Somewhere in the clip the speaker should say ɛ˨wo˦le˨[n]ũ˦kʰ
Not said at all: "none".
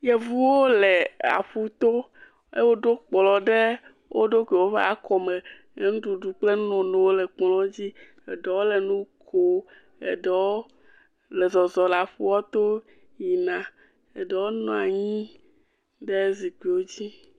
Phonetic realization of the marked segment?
n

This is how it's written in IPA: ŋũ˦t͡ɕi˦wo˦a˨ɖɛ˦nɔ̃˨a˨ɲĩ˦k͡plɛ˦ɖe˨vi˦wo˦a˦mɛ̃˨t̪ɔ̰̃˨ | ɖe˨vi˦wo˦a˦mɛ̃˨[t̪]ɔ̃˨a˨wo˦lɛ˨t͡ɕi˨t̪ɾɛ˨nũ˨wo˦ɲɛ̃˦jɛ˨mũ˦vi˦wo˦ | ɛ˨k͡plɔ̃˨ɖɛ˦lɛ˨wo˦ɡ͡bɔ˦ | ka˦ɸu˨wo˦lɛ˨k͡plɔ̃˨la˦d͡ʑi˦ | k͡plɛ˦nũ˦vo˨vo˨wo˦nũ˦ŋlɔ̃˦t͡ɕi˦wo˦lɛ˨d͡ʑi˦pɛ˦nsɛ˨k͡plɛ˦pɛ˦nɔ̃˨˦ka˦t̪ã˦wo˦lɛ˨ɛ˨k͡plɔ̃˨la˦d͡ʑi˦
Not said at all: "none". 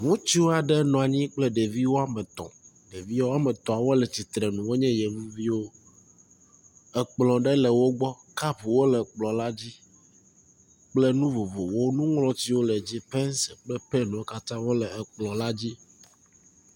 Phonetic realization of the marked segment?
t̪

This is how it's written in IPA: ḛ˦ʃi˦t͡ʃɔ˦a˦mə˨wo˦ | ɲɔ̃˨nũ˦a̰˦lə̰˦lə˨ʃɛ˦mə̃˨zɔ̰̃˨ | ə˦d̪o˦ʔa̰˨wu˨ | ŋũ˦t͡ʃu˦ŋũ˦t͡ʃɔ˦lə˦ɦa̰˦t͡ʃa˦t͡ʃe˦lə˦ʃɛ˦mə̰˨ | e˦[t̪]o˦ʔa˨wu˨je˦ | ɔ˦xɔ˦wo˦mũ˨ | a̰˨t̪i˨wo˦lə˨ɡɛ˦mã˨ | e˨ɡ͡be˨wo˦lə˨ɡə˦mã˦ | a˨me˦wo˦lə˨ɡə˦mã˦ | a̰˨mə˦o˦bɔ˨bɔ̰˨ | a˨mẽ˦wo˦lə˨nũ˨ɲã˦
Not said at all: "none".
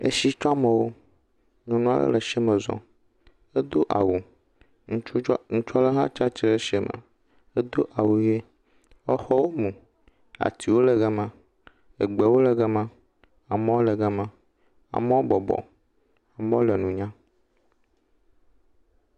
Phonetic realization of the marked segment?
d̪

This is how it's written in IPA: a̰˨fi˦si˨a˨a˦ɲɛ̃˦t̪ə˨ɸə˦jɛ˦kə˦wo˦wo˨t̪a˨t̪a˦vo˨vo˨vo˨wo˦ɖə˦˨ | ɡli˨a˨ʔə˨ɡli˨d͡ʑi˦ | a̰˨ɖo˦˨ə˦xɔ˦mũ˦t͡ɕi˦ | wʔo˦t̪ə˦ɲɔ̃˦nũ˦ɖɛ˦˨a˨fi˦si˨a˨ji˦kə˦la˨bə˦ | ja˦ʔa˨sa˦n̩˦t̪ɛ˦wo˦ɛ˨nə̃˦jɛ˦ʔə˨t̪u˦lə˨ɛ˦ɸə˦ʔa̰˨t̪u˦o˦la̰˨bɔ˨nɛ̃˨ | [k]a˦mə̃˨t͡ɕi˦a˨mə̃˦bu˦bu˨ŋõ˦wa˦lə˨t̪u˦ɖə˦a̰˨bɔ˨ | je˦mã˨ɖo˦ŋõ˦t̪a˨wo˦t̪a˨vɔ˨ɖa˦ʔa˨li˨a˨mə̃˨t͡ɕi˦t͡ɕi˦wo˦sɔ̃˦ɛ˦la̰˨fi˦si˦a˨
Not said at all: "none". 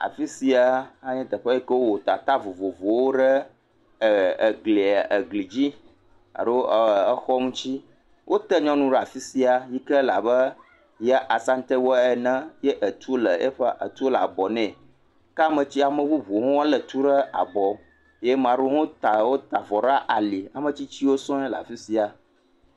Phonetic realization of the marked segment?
k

